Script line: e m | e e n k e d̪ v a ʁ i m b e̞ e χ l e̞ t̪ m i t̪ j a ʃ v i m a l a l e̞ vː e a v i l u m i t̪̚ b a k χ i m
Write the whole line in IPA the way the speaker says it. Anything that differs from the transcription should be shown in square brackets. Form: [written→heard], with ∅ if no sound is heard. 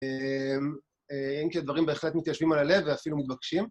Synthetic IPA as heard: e m | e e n k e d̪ v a ʁ i m b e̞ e χ l e̞ t̪ m i t̪ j a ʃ v i m a l a l e̞ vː e a [v→f] i l u m i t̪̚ b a k [χ→ʃ] i m